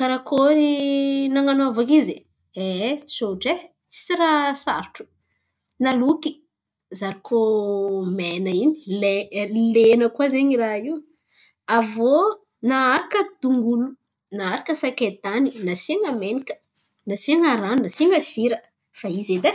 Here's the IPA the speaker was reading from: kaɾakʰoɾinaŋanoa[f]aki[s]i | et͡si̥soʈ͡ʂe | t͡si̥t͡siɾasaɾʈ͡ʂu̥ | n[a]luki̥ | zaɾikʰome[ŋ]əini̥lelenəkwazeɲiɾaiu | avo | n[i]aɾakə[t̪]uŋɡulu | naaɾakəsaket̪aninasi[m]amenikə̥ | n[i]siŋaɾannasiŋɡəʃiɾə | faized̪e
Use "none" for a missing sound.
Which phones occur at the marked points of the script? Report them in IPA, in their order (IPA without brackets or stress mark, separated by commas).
v, z, a, n, a, d̪, ŋ, a